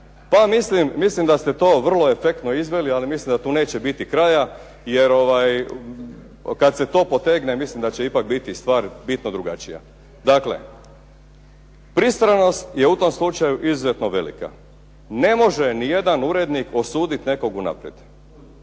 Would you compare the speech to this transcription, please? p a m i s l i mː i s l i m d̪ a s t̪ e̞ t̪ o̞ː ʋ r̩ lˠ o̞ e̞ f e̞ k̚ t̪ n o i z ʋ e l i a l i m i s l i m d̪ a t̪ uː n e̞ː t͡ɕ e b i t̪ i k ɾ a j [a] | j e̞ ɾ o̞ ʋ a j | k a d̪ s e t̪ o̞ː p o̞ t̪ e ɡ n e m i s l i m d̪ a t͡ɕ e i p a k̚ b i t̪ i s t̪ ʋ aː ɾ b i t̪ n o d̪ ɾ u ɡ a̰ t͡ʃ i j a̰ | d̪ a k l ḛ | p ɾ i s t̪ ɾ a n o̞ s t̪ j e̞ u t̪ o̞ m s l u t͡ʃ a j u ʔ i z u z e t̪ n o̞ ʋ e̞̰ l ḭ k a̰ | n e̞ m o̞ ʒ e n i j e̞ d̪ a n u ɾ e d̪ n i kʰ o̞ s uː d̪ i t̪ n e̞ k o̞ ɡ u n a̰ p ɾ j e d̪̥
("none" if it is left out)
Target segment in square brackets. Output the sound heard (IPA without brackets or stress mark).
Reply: a